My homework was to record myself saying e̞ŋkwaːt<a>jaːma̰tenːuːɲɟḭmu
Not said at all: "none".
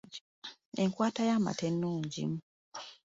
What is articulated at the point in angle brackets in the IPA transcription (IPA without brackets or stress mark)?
a